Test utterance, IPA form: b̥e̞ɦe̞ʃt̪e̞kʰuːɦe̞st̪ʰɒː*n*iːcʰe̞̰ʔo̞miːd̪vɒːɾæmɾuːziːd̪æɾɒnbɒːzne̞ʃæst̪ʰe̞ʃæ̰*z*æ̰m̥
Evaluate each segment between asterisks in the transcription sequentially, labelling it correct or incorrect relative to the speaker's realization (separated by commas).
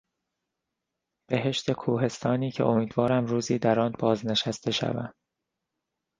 correct, incorrect